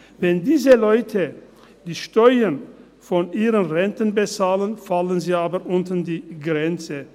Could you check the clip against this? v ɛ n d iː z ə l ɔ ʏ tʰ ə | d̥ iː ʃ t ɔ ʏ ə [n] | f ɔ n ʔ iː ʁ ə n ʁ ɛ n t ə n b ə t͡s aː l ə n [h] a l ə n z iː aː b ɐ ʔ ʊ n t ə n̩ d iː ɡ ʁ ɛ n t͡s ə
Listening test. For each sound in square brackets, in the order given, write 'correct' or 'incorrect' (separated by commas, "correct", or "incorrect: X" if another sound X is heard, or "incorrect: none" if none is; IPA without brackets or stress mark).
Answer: correct, incorrect: f